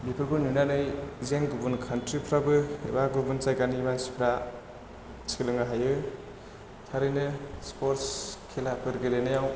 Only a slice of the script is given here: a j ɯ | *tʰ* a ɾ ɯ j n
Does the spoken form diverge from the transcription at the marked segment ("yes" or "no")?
no